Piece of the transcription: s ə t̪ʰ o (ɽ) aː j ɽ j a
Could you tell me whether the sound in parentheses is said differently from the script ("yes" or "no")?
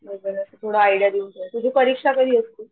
no